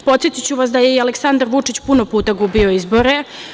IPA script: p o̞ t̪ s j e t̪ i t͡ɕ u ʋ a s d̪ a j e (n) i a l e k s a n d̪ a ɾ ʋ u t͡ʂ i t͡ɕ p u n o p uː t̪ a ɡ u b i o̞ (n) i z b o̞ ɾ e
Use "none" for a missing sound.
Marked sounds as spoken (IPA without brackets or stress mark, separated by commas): none, none